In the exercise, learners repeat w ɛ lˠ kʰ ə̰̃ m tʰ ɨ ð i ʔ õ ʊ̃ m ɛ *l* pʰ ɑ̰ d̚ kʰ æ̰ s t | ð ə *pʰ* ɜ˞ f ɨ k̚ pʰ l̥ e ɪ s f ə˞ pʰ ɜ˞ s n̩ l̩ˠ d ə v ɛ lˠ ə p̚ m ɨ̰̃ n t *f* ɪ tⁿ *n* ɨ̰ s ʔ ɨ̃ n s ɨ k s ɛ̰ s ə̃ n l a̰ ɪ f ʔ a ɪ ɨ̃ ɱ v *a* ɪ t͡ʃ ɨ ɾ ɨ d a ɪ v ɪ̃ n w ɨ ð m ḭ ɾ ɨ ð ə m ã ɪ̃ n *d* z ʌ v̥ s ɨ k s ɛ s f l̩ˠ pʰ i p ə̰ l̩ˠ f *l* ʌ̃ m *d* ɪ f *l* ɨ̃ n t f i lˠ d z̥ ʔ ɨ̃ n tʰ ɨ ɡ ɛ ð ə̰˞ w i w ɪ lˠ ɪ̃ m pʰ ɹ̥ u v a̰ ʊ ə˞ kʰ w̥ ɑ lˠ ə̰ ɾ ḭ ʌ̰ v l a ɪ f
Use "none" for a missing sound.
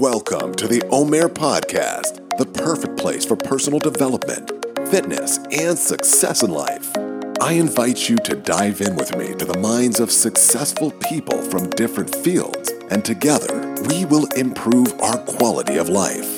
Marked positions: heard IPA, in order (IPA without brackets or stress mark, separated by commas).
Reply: ɹ, pʰ, f, n, a, d, ɹ, d, ɹ